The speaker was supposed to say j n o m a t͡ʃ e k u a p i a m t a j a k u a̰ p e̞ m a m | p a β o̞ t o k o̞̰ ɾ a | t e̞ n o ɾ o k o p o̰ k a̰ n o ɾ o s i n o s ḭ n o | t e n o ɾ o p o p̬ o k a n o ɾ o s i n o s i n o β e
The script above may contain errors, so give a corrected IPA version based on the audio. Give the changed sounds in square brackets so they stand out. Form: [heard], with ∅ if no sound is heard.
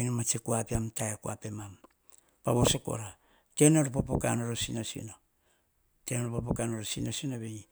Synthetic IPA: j n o m a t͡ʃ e k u a p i a m t a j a k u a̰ p e̞ m a m | p a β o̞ [s] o k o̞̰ ɾ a | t e̞ n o ɾ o [p] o p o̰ k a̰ n o ɾ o s i n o s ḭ n o | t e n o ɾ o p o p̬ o k a n o ɾ o s i n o s i n o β e